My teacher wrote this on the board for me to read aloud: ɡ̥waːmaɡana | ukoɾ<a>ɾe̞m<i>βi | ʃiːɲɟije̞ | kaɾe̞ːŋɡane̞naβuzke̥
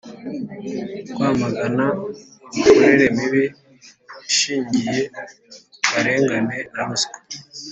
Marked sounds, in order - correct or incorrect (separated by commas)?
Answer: incorrect, correct